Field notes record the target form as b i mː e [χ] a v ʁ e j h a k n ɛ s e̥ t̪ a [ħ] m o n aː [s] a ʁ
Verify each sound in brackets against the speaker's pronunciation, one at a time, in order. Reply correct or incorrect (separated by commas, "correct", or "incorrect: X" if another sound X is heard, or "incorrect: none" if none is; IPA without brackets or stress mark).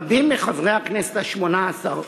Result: correct, incorrect: ʃ, correct